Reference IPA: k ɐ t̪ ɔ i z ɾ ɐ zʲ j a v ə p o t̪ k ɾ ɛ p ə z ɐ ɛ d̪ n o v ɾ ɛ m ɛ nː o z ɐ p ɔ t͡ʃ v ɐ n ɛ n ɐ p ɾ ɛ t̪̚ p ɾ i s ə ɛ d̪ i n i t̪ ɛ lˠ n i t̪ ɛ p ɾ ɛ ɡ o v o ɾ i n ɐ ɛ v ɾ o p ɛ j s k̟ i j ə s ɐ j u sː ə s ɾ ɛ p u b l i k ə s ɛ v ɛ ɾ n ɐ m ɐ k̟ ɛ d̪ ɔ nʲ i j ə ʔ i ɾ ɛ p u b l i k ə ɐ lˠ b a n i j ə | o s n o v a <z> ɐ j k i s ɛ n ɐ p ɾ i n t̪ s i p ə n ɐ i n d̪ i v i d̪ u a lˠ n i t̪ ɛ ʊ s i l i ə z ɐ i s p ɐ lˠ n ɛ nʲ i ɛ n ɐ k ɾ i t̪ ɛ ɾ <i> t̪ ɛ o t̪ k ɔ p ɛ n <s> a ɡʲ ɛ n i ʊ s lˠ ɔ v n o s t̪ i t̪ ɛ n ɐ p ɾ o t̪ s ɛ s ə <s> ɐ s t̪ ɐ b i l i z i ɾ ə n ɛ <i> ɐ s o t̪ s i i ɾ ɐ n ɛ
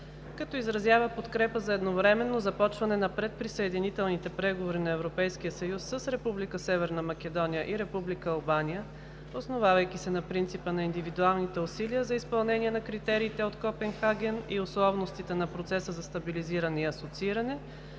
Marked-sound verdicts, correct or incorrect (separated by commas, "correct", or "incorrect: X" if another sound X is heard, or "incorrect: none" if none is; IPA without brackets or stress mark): incorrect: v, incorrect: iː, incorrect: x, incorrect: z, correct